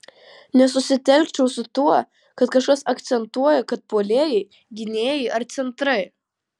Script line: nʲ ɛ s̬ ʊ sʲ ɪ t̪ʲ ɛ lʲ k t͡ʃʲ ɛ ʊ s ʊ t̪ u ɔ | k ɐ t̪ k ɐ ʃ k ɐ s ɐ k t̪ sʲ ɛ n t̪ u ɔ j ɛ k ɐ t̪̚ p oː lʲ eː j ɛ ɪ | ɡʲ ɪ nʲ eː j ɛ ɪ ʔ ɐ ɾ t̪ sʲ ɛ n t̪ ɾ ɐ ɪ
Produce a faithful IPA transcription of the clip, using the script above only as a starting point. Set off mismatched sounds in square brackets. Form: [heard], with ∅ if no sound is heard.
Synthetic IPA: nʲ ɛ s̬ ʊ sʲ ɪ t̪ʲ ɛ lʲ k t͡ʃʲ ɛ ʊ s ʊ t̪ u ɔ | k ɐ t̪ k ɐ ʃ k ɐ s ɐ k t̪ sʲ ɛ n t̪ u ɔ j ɛ k ɐ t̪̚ p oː lʲ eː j ɛ ɪ | ɡʲ ɪ nʲ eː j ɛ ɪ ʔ ɐ ɾ t̪ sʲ ɛ n t̪ ɾ ɐ ɪ

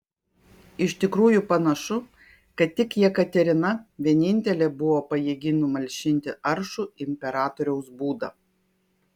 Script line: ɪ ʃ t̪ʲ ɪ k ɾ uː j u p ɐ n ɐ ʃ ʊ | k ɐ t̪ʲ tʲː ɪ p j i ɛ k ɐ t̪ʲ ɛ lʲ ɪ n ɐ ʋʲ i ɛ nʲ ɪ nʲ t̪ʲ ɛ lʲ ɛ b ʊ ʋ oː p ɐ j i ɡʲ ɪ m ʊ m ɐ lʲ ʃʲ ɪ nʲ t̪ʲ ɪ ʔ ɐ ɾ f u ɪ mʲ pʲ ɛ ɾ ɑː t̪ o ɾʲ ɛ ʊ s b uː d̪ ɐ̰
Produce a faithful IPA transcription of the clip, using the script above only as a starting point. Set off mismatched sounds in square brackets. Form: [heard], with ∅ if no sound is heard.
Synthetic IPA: ɪ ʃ t̪ʲ ɪ k ɾ uː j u p ɐ n ɐ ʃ ʊ | k ɐ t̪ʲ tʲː ɪ [k] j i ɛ k ɐ t̪ʲ ɛ [ɾʲ] ɪ n ɐ ʋʲ i ɛ nʲ ɪ nʲ t̪ʲ ɛ lʲ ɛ b ʊ ʋ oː p ɐ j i ɡʲ ɪ [n] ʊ m ɐ lʲ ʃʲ ɪ nʲ t̪ʲ ɪ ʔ ɐ ɾ [ʃ] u ɪ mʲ pʲ ɛ ɾ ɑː t̪ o ɾʲ ɛ ʊ s b uː d̪ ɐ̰

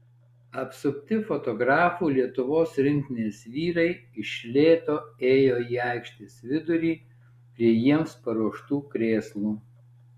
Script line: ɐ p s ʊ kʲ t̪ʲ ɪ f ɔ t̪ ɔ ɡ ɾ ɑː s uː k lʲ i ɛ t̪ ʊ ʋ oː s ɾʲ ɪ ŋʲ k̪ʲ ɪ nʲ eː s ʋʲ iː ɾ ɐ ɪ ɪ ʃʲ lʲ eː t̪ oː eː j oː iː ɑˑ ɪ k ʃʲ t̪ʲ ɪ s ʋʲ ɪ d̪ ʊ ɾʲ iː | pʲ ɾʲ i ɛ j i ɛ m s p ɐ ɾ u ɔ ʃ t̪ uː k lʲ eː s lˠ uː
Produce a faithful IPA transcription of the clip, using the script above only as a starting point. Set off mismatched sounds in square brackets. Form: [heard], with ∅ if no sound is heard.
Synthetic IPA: ɐ p s ʊ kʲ t̪ʲ ɪ f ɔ t̪ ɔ ɡ ɾ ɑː [f] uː [∅] lʲ i ɛ t̪ ʊ ʋ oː s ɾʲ ɪ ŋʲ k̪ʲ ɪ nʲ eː s ʋʲ iː ɾ ɐ ɪ ɪ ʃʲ lʲ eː t̪ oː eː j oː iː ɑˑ ɪ k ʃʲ t̪ʲ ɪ s ʋʲ ɪ d̪ ʊ ɾʲ iː | pʲ ɾʲ i ɛ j i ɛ m s p ɐ ɾ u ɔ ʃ t̪ uː k [ɾʲ] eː s lˠ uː

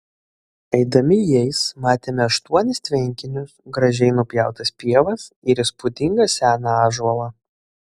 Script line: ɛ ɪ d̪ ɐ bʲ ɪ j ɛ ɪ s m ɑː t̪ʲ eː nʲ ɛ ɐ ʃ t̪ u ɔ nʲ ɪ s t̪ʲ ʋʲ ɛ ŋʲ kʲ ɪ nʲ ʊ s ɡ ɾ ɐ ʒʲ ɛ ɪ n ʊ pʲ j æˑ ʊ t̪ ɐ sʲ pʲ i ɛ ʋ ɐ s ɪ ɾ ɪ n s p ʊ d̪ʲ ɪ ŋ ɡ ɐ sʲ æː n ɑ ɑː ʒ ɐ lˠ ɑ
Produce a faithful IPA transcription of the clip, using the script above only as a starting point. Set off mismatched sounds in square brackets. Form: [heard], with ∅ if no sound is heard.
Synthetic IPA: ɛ ɪ d̪ ɐ [mʲ] ɪ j ɛ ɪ s m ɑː t̪ʲ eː [mʲ] ɛ ɐ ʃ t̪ u ɔ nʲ ɪ s t̪ʲ ʋʲ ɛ ŋʲ kʲ ɪ nʲ ʊ s ɡ ɾ ɐ ʒʲ ɛ ɪ n ʊ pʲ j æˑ ʊ t̪ ɐ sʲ pʲ i ɛ ʋ ɐ s ɪ ɾ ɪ [∅] s p ʊ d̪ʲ ɪ ŋ ɡ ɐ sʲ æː n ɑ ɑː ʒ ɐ lˠ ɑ

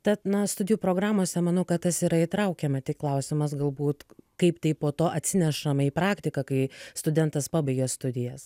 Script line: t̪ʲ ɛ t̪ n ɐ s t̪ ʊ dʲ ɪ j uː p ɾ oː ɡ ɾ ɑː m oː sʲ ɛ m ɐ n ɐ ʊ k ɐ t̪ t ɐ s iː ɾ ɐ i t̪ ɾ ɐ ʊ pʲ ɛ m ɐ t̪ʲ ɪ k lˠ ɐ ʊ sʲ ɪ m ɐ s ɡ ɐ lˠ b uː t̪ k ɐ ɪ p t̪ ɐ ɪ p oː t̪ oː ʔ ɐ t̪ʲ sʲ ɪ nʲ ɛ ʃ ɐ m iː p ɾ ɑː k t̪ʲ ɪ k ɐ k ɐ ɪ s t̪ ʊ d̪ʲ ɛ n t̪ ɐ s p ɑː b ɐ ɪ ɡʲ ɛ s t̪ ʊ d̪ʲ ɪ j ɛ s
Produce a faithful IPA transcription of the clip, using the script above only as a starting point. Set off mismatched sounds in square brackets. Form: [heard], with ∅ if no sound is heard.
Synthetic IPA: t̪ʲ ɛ t̪ n ɐ s t̪ ʊ dʲ ɪ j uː p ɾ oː ɡ ɾ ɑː m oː sʲ ɛ m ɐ n ɐ ʊ k ɐ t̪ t ɐ s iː ɾ ɐ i t̪ ɾ ɐ ʊ [kʲ] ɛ m ɐ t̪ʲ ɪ k lˠ ɐ ʊ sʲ ɪ m ɐ s ɡ ɐ lˠ b uː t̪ k ɐ ɪ p t̪ ɐ ɪ p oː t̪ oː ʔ ɐ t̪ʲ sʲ ɪ nʲ ɛ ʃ ɐ m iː p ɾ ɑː k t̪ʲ ɪ k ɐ k ɐ ɪ s t̪ ʊ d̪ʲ ɛ n t̪ ɐ s p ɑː b ɐ ɪ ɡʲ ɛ s t̪ ʊ d̪ʲ ɪ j ɛ s

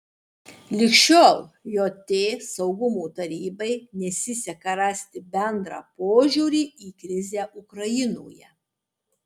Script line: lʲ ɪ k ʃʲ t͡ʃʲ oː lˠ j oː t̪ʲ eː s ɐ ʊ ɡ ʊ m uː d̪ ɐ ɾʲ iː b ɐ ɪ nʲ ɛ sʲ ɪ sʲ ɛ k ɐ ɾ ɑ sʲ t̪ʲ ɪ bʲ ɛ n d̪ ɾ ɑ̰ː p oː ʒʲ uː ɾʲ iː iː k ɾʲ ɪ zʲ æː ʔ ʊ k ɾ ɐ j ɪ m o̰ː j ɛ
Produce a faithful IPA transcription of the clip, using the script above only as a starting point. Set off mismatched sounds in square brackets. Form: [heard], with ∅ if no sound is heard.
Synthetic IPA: lʲ ɪ k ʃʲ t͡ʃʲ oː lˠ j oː t̪ʲ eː s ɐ ʊ ɡ ʊ m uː [t̪] ɐ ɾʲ iː b ɐ ɪ nʲ ɛ sʲ ɪ sʲ ɛ k ɐ ɾ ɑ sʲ t̪ʲ ɪ bʲ ɛ n d̪ ɾ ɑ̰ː p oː ʒʲ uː ɾʲ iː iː k ɾʲ ɪ zʲ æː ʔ ʊ k ɾ ɐ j ɪ [n] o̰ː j ɛ

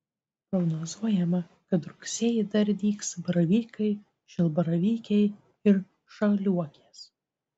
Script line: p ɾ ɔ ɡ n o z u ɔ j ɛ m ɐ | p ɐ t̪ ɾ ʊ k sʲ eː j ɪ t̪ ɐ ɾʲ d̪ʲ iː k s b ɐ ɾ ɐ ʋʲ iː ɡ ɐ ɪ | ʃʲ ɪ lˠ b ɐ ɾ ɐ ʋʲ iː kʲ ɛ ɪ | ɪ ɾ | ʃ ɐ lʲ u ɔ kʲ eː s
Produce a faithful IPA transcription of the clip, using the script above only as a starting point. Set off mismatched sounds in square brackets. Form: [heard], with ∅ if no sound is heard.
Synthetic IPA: p ɾ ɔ ɡ n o z u ɔ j ɛ m ɐ | [k] ɐ t̪ ɾ ʊ k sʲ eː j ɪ [d̪] ɐ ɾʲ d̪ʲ iː k s b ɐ ɾ ɐ ʋʲ iː [k] ɐ ɪ | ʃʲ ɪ lˠ b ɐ ɾ ɐ ʋʲ iː kʲ ɛ ɪ | ɪ ɾ | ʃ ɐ lʲ u ɔ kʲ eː s

